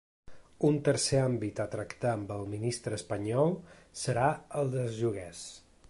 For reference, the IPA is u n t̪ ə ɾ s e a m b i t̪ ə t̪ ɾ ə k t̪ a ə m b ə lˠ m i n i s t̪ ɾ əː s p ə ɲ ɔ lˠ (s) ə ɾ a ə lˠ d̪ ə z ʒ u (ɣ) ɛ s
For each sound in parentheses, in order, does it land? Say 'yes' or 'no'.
yes, yes

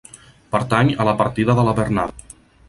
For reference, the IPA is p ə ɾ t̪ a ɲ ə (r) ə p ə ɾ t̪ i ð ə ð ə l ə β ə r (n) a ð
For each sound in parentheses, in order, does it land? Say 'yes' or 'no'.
no, yes

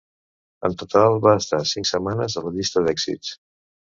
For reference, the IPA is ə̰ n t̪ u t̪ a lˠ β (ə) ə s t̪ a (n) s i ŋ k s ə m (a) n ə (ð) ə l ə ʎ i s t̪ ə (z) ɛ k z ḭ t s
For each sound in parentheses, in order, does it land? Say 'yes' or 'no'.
no, no, yes, no, no

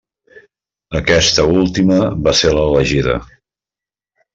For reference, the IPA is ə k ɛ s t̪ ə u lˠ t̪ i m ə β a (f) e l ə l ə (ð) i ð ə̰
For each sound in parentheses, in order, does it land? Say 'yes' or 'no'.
no, no

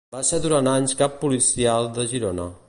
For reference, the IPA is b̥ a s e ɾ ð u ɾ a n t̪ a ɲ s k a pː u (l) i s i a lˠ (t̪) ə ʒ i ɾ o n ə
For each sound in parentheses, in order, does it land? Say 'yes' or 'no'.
yes, no

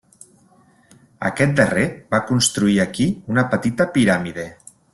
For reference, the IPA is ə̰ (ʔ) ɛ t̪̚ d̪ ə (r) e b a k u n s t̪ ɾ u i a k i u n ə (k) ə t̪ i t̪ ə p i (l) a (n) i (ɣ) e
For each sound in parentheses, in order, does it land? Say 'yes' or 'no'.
no, yes, no, no, no, no

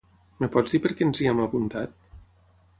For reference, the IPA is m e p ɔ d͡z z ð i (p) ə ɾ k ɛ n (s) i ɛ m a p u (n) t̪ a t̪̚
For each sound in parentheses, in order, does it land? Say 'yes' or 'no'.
yes, no, yes

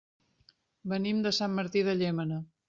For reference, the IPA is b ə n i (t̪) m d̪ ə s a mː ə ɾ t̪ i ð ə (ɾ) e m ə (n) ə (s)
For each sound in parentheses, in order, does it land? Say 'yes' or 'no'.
no, no, yes, no

